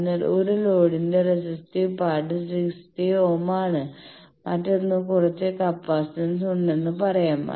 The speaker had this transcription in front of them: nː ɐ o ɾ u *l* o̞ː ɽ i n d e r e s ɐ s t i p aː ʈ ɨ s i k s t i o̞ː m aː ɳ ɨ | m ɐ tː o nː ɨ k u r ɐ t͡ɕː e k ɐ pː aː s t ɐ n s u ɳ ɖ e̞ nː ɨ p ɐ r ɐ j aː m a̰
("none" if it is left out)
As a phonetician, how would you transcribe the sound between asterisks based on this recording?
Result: l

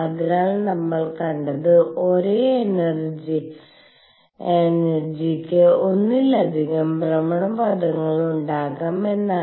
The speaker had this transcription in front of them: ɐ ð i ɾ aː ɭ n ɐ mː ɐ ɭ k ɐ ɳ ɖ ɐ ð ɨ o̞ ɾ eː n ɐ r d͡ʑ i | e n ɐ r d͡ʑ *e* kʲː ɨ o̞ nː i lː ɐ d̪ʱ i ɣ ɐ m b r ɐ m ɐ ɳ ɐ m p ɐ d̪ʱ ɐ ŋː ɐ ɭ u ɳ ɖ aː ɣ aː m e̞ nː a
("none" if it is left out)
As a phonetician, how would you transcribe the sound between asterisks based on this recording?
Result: i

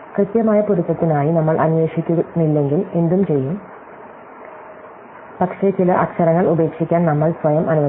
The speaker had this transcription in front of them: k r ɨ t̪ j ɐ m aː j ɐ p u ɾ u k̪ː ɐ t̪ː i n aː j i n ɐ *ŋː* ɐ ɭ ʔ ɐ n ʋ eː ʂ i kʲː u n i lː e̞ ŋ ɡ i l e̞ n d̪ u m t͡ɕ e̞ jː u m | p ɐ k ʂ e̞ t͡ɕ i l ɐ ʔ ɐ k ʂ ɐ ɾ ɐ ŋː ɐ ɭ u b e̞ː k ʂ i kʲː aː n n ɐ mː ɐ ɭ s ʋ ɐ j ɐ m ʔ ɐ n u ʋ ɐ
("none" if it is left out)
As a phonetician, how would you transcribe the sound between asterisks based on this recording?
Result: mː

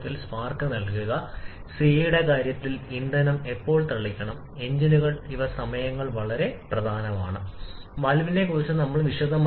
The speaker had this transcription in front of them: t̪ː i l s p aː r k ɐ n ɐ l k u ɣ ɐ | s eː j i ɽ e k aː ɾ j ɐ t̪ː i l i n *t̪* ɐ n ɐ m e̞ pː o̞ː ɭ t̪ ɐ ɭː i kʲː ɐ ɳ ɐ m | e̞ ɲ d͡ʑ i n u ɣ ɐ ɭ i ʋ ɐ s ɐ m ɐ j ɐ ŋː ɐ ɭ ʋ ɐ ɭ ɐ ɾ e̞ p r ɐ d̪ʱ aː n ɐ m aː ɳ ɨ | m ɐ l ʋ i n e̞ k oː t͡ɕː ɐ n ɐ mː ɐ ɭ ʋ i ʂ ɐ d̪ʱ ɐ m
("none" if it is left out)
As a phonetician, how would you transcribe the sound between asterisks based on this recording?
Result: d̪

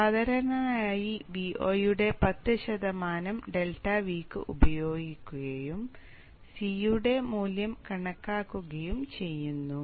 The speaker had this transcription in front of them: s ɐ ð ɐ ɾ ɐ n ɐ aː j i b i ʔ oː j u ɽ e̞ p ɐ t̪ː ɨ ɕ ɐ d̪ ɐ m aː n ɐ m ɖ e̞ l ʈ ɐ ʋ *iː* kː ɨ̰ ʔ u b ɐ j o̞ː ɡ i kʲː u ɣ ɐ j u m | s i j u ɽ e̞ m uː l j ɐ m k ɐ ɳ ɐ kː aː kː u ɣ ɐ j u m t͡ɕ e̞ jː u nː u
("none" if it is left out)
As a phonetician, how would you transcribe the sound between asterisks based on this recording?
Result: iː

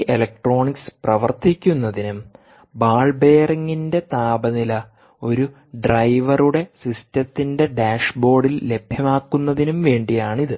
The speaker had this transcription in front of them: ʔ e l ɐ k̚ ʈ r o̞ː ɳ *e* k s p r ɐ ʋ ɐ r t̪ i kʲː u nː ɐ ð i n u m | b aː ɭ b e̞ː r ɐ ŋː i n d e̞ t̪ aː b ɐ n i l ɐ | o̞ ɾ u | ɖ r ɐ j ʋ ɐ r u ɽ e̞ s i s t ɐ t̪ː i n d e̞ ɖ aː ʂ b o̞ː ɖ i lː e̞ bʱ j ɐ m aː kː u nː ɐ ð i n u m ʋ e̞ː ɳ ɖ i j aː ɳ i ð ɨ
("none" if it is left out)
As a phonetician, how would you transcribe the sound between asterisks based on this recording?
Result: i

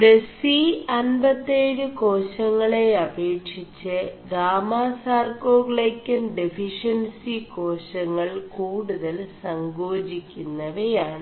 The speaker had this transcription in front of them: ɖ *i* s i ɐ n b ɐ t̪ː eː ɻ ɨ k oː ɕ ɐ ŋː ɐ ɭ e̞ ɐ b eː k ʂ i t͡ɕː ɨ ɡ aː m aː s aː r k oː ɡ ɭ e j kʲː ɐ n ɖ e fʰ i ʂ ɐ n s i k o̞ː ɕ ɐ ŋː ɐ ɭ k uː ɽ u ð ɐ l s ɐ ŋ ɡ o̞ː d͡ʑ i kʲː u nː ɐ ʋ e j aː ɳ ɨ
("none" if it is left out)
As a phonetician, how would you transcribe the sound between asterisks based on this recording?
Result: e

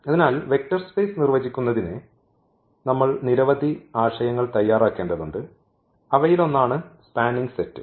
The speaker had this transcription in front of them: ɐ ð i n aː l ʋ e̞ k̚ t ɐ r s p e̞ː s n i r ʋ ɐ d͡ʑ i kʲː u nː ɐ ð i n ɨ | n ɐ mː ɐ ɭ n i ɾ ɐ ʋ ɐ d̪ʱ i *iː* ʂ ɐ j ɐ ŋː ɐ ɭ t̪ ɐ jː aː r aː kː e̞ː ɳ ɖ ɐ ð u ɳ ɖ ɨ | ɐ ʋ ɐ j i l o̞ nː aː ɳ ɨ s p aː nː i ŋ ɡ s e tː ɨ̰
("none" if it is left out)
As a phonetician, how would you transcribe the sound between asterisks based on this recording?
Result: aː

